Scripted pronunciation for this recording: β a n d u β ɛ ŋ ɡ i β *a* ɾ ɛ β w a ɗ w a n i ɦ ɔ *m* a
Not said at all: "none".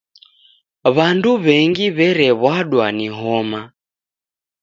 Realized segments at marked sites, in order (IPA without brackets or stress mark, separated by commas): ɛ, m